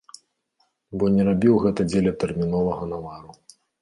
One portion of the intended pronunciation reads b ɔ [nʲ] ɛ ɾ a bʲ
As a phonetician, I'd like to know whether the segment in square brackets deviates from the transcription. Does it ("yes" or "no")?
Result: no